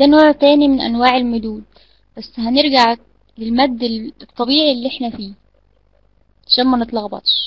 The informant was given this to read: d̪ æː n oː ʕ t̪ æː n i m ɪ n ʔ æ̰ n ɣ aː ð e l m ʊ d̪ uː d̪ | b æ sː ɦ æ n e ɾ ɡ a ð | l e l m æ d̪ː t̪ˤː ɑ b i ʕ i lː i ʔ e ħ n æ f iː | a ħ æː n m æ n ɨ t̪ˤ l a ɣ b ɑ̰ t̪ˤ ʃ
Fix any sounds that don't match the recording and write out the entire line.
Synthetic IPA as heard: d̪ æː n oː ʕ t̪ æː n i m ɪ n ʔ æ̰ n w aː ʕ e l m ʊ d̪ uː d̪ | b æ sː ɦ æ n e ɾ ɡ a ʕ | l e l m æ d̪ː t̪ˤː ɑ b iː ʕ i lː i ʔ e ħ n æ f iː | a ʃ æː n m æ n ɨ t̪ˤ l ɑ ɣ b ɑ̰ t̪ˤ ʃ

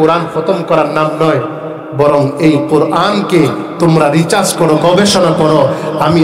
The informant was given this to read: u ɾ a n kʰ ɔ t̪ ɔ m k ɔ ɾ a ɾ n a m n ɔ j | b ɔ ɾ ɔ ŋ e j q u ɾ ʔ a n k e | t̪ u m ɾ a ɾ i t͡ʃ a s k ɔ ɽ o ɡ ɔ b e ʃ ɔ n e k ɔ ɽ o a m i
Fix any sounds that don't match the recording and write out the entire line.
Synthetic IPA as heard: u ɾ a n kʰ ɔ t̪ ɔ m k ɔ ɾ a ɾ n a m n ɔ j | b ɔ ɾ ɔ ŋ e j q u ɾ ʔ a n k e | t̪ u m ɾ a ɾ i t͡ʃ a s k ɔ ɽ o ɡ ɔ b e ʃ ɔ n a k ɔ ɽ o a m i

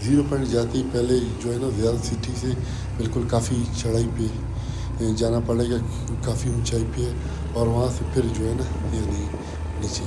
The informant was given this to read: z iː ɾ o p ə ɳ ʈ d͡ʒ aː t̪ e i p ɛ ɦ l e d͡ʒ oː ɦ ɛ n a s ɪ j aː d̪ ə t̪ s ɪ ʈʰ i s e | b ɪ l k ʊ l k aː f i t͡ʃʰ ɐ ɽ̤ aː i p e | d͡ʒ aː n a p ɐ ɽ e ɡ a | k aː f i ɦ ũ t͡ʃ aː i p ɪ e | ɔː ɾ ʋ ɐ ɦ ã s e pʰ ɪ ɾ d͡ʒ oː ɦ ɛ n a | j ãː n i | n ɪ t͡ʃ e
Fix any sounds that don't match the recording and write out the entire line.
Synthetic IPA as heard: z iː ɾ o p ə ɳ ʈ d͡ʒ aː t̪ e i p ɛ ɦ l e d͡ʒ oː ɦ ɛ n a z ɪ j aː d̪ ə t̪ s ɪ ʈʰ i s e | b ɪ l k ʊ l k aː f i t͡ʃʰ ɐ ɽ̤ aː i p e | d͡ʒ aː n a p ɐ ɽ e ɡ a | k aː f i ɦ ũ t͡ʃ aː i p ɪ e | ɔː ɾ ʋ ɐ ɦ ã s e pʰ ɪ ɾ d͡ʒ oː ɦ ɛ n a | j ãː n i | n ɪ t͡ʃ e

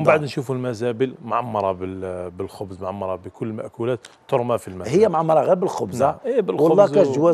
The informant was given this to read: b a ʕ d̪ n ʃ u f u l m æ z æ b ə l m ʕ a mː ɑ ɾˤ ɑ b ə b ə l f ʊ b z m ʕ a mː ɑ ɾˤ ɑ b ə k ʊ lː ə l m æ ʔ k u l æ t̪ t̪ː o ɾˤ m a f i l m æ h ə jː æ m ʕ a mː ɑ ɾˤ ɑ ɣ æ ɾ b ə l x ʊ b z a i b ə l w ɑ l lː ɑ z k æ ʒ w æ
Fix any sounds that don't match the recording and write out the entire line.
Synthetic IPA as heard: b a ʕ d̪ n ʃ u f u l m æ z æ b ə l m ʕ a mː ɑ ɾˤ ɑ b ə b ə l x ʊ b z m ʕ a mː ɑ ɾˤ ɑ b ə k ʊ lː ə l m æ ʔ k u l æ t̪ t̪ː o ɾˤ m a f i l m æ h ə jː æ m ʕ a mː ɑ ɾˤ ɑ ɣ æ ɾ b ə l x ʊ b z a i b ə l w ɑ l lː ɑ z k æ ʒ w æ

